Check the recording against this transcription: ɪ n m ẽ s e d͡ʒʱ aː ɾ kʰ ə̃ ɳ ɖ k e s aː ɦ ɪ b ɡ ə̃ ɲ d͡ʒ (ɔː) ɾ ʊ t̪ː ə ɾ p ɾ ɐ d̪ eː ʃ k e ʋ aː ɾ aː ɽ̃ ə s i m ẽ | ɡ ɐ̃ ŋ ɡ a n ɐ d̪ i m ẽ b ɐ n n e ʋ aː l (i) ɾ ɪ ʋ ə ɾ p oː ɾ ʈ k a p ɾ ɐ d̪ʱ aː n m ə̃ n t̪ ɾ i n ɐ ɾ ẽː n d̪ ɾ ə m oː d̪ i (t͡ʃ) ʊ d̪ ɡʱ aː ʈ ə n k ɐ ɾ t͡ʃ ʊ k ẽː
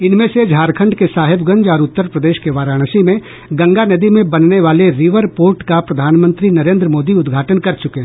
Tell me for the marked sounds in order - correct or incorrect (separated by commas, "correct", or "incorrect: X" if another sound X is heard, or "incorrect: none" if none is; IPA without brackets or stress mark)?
correct, incorrect: e, incorrect: none